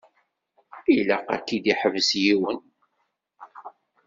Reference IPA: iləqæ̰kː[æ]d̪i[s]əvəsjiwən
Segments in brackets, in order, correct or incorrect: incorrect, incorrect

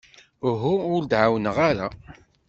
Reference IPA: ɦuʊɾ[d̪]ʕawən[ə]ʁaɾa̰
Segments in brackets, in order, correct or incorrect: correct, correct

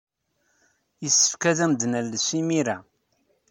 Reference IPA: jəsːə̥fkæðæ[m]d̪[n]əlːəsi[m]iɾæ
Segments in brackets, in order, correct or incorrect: correct, correct, correct

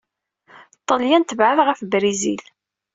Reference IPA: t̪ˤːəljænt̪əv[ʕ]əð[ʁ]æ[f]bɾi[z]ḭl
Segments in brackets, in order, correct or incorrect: correct, correct, correct, correct

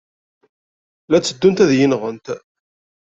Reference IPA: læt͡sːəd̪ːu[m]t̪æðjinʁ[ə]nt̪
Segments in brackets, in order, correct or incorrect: incorrect, correct

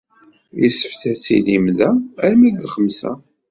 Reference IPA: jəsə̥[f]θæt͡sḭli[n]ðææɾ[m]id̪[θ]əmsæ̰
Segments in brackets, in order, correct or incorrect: correct, incorrect, correct, incorrect

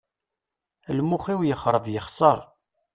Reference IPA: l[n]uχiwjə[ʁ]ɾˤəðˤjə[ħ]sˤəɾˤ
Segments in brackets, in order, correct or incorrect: incorrect, incorrect, incorrect

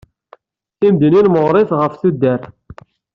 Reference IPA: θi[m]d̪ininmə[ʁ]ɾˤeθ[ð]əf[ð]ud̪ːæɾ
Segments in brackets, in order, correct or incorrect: correct, correct, incorrect, incorrect

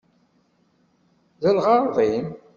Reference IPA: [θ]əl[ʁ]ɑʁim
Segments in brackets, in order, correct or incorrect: incorrect, correct

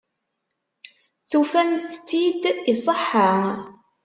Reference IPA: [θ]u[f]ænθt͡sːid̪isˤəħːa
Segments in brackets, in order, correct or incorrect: correct, correct

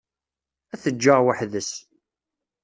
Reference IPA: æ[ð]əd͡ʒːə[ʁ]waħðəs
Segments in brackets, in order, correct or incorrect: incorrect, correct

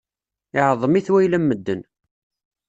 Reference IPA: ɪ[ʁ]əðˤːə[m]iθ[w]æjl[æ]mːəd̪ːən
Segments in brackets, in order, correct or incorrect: incorrect, correct, correct, correct

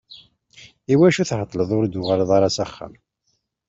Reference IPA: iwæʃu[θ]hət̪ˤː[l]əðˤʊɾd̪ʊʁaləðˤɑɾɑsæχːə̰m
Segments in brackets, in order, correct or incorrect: correct, correct

